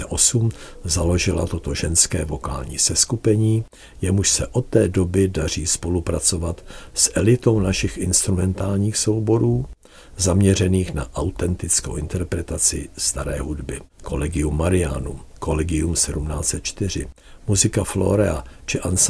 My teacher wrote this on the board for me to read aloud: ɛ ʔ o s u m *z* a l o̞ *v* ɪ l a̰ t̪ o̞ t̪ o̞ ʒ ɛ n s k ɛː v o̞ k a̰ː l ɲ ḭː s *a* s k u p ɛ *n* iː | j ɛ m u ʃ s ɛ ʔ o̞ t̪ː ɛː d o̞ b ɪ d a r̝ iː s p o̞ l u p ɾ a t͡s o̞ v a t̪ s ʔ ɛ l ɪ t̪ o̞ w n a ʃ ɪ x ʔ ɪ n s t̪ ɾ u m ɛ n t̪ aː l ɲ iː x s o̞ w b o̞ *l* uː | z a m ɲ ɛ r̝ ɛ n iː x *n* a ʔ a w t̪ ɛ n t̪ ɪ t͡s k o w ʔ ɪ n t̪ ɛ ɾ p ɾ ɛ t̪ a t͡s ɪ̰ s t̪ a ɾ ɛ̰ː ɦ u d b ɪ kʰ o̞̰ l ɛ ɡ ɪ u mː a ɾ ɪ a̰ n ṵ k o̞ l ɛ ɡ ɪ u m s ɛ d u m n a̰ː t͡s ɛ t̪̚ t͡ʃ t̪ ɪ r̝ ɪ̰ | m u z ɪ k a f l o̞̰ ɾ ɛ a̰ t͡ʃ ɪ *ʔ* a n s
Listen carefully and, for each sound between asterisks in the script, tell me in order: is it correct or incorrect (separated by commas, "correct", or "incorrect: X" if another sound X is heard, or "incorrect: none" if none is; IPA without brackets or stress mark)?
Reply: correct, incorrect: ʒ, incorrect: ɛ, incorrect: ɲ, incorrect: ɾ, correct, correct